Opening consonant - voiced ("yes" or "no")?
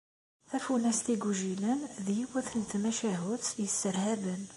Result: no